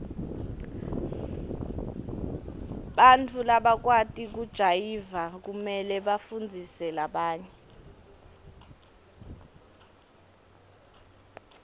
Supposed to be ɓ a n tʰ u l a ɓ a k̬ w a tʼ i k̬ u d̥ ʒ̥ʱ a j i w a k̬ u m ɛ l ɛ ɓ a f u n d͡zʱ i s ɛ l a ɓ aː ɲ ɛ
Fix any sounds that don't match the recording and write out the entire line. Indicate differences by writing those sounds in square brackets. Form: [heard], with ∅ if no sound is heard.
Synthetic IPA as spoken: ɓ a n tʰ u l a ɓ a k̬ w a tʼ i k̬ u d̥ ʒ̥ʱ a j i [v] a k̬ u m ɛ l ɛ ɓ a f u n d͡zʱ i s ɛ l a ɓ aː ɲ ɛ